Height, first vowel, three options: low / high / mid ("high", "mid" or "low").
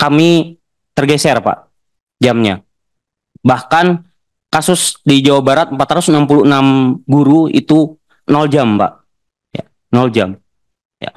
low